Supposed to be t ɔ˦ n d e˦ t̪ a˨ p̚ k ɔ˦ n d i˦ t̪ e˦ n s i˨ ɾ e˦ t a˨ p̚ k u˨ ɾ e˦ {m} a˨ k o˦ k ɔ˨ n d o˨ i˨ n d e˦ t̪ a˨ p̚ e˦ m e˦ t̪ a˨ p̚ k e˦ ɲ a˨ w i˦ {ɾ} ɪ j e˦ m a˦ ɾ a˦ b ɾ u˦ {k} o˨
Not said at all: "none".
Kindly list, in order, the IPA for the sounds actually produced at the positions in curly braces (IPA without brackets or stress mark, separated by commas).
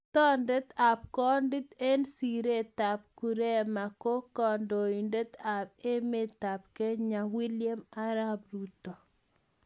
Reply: m, l, t